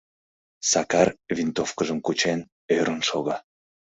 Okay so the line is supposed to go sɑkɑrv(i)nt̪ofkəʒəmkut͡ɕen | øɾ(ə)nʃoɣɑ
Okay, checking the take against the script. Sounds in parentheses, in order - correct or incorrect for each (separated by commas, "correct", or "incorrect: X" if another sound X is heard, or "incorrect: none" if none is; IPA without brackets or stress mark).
correct, correct